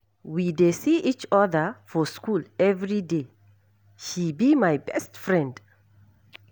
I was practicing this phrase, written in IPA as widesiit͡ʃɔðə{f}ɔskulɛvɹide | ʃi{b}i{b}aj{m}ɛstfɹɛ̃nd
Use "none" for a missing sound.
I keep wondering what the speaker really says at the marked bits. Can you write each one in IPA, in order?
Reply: f, b, m, b

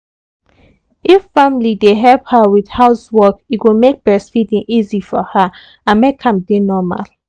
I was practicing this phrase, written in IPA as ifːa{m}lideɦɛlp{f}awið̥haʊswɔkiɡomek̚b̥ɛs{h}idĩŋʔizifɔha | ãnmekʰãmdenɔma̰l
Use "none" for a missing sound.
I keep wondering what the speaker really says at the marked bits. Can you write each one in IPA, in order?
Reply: m, h, f

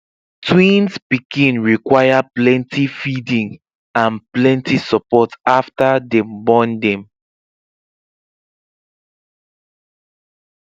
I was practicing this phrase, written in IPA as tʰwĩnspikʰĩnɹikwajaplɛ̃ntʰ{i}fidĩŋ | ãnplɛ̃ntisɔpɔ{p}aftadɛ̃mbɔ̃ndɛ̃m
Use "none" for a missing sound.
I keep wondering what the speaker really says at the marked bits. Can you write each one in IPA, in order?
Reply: i, t

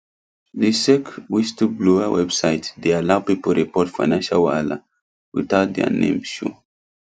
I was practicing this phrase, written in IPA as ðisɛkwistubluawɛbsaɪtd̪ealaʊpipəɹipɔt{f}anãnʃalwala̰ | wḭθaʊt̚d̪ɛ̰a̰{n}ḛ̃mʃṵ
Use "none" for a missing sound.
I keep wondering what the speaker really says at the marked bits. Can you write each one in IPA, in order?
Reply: f, n

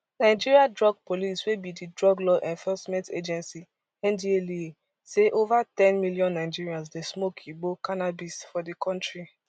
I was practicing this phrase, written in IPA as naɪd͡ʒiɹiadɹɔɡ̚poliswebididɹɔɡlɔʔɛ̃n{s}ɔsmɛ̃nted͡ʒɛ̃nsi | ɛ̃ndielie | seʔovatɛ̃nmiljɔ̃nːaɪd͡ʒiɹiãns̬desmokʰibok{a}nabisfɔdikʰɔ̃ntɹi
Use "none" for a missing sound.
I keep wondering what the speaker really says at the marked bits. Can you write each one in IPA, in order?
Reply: f, a

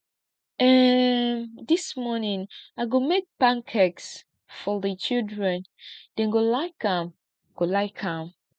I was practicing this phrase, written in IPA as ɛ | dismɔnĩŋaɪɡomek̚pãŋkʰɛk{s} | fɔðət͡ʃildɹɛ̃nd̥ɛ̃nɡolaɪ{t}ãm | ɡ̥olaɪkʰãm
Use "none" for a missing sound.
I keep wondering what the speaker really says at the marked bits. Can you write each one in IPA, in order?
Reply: s, k

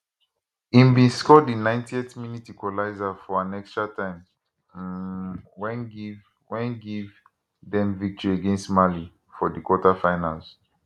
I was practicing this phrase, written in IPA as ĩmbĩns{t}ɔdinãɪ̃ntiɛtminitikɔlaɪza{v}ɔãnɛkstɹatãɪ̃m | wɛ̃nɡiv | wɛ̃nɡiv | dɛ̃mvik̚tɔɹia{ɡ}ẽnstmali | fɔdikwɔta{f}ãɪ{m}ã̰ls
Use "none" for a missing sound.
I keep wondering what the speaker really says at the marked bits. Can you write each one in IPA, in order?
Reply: k, f, ɡ, f, n

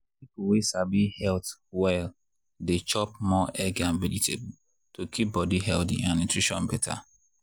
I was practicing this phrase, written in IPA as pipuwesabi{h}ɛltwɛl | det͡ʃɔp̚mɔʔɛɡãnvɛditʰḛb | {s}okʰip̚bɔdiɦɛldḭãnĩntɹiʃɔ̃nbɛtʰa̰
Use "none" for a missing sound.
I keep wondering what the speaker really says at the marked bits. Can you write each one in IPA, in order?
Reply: h, t

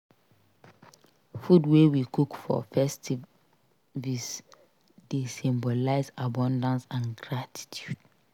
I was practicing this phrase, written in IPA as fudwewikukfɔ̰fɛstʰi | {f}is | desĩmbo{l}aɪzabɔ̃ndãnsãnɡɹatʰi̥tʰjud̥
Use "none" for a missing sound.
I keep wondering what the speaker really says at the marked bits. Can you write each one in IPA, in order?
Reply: v, l

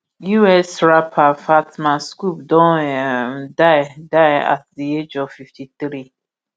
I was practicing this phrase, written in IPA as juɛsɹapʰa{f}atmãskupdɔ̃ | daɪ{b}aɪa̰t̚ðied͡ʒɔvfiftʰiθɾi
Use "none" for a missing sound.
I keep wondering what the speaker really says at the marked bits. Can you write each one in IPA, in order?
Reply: f, d

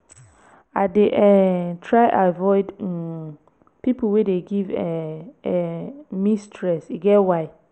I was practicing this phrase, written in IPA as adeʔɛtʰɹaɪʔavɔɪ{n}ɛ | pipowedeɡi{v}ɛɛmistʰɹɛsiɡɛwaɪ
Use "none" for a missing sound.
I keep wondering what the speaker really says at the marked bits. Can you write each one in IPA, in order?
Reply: d, v

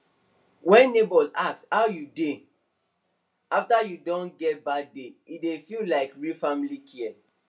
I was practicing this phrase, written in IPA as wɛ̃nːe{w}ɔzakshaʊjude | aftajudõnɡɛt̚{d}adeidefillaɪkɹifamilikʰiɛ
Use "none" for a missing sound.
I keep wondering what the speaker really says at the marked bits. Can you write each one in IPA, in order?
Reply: b, b

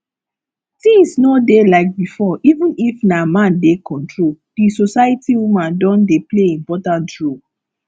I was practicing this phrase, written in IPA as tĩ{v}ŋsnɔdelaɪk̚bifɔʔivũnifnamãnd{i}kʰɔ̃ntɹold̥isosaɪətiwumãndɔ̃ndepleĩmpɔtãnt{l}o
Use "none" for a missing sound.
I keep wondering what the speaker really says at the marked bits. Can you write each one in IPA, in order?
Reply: none, e, ɹ

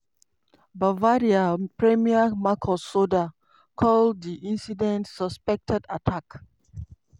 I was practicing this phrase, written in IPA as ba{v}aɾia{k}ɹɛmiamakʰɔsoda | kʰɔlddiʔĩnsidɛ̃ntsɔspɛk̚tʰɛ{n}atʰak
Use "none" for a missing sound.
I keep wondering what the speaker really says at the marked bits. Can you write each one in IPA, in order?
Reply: v, p, d

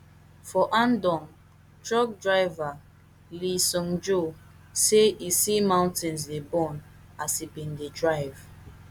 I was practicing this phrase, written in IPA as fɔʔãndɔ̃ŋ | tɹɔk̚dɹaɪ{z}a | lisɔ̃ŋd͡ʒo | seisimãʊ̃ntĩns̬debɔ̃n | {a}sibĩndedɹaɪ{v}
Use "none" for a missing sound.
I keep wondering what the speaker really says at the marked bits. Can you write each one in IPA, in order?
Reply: v, a, v

